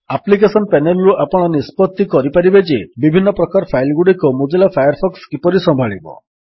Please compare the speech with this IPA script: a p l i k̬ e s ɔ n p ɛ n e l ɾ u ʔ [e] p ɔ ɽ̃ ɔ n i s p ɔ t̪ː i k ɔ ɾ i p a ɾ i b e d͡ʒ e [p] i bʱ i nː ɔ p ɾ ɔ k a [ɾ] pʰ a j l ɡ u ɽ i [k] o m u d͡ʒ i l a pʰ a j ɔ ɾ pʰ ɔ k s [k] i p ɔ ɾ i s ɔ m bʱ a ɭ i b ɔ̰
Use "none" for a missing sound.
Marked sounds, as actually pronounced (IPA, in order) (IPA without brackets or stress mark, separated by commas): a, b, ɾ, k, k